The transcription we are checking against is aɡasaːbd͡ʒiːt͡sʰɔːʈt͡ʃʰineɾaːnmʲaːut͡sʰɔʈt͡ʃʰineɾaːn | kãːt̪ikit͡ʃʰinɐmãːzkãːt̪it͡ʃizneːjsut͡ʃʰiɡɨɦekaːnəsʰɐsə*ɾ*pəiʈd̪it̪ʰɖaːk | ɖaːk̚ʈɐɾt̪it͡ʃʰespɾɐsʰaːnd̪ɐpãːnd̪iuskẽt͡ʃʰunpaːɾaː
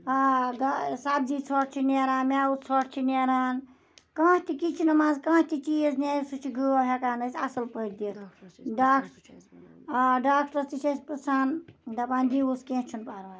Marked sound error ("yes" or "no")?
yes